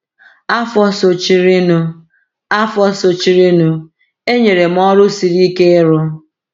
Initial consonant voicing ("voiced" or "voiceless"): voiceless